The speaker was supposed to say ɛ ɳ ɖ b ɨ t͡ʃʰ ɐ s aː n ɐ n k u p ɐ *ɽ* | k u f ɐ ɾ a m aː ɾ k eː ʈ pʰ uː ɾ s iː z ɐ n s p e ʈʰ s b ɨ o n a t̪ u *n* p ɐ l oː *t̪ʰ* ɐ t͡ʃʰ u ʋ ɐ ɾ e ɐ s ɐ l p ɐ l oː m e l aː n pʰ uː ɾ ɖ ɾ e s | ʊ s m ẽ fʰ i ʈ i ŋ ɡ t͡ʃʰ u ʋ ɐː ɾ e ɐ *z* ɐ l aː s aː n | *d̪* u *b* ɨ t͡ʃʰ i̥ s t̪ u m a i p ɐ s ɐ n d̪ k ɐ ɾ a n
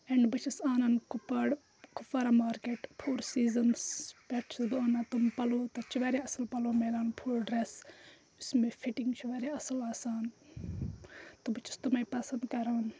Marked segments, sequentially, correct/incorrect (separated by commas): correct, incorrect, incorrect, incorrect, incorrect, correct